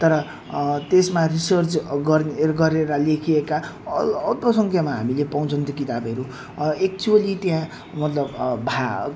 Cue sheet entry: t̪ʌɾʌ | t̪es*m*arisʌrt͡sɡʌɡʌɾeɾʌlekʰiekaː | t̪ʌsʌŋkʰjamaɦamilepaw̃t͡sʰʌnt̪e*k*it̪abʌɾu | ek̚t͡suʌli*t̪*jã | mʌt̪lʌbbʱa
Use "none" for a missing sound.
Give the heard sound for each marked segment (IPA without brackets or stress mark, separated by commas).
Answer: m, k, t̪